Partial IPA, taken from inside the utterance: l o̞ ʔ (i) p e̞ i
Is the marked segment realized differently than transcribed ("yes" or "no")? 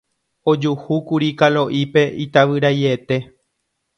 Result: no